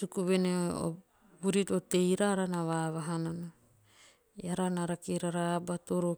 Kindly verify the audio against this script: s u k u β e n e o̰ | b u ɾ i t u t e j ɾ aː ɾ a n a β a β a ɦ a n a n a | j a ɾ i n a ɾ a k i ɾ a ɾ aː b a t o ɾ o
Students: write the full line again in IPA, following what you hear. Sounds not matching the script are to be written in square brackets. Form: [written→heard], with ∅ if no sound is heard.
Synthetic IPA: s u k u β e n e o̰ | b u ɾ i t [u→o] t e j ɾ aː ɾ a n a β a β a ɦ a n a n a | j a ɾ [i→a] n a ɾ a k i ɾ a ɾ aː b a t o ɾ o